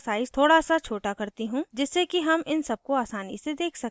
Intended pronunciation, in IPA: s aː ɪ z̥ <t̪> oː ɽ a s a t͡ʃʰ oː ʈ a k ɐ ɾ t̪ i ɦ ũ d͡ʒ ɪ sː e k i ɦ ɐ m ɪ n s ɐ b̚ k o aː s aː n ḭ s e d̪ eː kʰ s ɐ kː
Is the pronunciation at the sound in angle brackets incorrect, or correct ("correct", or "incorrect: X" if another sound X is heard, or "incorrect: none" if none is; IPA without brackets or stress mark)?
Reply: incorrect: t̪ʰ